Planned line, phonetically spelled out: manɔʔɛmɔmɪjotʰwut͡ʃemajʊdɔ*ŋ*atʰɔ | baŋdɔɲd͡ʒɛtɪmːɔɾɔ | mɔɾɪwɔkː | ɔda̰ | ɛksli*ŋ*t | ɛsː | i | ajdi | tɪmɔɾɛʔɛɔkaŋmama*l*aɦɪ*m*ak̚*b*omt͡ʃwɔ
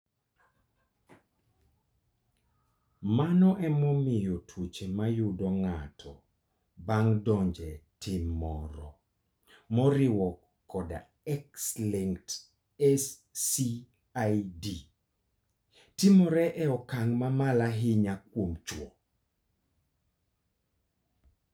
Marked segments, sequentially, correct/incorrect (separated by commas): correct, correct, correct, incorrect, incorrect